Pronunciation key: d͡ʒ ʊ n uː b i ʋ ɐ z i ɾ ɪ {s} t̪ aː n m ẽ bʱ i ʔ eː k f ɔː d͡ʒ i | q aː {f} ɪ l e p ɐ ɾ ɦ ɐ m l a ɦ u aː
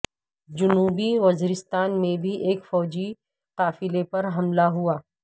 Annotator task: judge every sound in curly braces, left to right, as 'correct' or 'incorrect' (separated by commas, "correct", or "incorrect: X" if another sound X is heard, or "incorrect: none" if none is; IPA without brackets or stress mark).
correct, correct